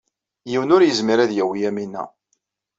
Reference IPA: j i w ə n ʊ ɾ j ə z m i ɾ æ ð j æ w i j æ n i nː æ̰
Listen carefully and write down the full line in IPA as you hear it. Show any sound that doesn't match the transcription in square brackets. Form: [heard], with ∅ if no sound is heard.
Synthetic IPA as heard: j i w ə n ʊ ɾ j ə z m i ɾ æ ð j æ w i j æ [m] i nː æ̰